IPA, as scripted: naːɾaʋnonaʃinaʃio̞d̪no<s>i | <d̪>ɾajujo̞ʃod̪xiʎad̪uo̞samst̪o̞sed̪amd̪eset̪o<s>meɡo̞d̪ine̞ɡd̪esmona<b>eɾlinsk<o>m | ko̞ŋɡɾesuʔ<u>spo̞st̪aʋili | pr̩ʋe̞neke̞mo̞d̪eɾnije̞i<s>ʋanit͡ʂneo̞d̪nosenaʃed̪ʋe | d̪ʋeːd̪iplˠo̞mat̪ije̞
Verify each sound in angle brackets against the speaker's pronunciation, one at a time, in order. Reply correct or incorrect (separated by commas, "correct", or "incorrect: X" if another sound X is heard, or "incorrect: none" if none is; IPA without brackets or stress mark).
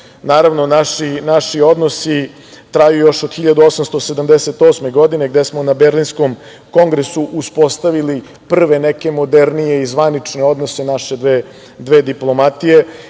correct, incorrect: t̪, correct, correct, correct, correct, incorrect: z